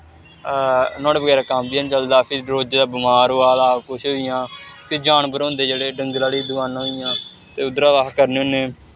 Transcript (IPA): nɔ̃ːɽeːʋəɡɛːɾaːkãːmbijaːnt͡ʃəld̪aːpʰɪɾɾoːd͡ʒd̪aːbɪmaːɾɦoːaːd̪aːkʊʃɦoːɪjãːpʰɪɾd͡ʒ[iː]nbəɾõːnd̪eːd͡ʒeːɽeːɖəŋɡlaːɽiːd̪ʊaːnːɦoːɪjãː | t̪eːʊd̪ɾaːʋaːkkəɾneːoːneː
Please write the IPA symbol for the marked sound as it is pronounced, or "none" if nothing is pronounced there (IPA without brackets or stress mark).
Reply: aː